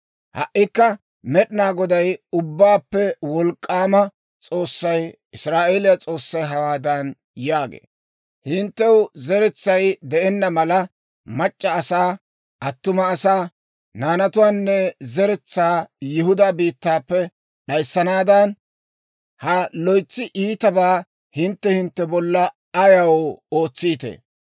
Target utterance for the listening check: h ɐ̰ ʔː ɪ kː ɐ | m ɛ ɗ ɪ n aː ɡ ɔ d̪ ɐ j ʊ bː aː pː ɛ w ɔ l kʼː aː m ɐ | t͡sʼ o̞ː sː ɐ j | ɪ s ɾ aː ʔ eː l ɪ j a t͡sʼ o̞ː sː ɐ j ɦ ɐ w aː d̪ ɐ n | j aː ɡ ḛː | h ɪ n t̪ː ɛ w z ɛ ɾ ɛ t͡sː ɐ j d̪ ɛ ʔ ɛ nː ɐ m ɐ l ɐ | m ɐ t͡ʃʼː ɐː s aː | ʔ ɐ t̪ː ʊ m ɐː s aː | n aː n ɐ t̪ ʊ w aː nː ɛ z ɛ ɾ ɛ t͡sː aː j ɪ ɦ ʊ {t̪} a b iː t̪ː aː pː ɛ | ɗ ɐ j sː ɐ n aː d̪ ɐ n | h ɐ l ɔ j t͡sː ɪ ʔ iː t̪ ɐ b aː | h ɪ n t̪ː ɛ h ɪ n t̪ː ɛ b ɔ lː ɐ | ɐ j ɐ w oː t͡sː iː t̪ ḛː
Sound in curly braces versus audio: incorrect: d̪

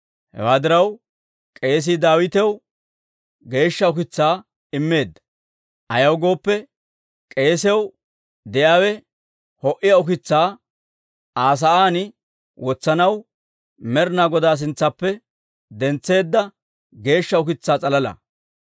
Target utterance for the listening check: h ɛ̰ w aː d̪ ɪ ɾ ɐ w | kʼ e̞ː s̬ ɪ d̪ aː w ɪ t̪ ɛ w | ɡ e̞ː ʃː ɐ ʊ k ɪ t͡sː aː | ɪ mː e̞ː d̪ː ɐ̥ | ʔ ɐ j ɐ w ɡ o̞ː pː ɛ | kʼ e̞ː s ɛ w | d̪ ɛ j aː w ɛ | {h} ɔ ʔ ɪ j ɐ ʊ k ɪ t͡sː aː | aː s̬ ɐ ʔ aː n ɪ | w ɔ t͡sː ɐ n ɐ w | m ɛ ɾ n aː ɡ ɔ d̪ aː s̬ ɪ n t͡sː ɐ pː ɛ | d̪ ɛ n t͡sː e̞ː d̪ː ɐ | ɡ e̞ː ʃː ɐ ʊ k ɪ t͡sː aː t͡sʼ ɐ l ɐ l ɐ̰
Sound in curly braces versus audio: correct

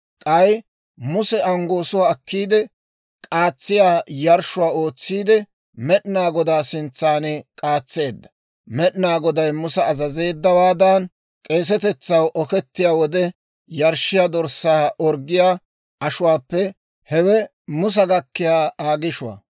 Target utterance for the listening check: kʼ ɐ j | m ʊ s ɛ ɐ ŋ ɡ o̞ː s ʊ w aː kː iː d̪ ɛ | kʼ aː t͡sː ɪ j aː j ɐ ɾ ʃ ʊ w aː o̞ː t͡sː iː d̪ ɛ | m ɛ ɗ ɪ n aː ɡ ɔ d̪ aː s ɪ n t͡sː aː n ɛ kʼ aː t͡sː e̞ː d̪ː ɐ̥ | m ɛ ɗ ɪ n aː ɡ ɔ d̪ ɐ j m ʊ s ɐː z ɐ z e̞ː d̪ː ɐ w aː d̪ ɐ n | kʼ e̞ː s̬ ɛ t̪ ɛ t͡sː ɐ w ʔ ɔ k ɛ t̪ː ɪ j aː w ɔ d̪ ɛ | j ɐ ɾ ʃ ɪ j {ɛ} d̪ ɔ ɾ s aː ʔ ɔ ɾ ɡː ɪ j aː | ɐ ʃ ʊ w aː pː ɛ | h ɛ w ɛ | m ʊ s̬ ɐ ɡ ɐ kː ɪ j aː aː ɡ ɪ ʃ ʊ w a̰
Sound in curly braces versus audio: incorrect: a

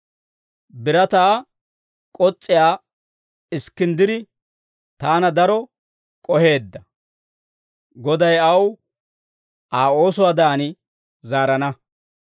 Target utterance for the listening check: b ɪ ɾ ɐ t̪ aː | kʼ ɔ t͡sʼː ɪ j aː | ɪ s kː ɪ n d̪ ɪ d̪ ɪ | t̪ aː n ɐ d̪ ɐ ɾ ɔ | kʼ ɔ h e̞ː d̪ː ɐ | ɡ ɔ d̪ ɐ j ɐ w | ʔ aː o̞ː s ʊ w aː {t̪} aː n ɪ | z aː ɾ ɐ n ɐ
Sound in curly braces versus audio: incorrect: d̪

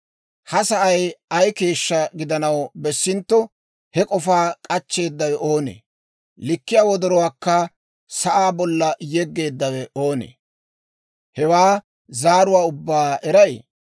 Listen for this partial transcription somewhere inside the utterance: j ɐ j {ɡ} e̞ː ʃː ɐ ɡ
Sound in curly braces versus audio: incorrect: k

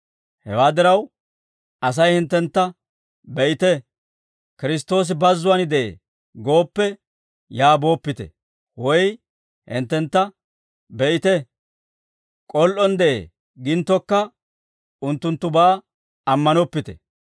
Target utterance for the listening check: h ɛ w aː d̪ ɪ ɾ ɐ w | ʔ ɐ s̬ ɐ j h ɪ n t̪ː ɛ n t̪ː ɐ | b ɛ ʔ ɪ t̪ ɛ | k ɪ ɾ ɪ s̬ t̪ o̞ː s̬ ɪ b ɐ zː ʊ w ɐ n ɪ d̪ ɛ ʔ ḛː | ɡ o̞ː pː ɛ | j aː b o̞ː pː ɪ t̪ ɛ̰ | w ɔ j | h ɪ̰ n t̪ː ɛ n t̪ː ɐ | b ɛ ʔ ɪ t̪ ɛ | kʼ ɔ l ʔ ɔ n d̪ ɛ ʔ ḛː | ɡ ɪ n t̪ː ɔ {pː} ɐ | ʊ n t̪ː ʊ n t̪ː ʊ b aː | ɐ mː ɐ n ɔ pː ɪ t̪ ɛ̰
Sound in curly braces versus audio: incorrect: kː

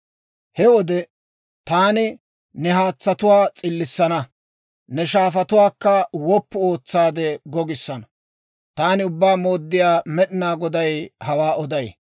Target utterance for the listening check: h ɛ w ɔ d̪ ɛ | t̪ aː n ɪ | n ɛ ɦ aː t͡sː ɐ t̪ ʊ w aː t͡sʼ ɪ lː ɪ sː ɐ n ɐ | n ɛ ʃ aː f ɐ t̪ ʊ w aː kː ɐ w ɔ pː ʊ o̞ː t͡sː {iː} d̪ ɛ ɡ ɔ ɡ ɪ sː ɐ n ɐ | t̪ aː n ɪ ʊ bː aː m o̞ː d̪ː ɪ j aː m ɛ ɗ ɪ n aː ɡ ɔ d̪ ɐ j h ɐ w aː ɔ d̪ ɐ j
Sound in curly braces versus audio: incorrect: aː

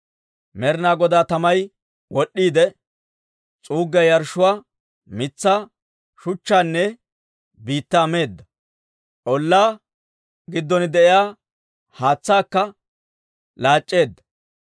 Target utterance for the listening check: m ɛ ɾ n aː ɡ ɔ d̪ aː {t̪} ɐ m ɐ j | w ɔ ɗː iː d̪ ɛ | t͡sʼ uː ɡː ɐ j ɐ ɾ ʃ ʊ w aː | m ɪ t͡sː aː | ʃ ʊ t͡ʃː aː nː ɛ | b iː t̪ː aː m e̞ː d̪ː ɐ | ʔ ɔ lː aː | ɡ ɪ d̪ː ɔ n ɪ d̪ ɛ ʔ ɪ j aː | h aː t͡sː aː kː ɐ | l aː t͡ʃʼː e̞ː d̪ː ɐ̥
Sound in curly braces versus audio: correct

